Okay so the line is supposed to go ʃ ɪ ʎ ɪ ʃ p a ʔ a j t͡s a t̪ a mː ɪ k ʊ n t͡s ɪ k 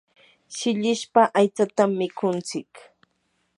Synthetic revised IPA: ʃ ɪ ʎ ɪ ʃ p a ʔ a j t͡s a t̪ a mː ɪ k ʊ n t͡s ɪ k